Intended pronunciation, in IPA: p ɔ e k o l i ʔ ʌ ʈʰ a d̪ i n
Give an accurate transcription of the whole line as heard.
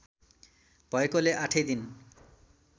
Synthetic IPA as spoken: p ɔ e k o l e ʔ a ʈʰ e d̪ i n